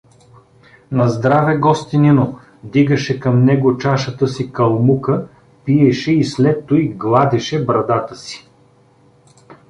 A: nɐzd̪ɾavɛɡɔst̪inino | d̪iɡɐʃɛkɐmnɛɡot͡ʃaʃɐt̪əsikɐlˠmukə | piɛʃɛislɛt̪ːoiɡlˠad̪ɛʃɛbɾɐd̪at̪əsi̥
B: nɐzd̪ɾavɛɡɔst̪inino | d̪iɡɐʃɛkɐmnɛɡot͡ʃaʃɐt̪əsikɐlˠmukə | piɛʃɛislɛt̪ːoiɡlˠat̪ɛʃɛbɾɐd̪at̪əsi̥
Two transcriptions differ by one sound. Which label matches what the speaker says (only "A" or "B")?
A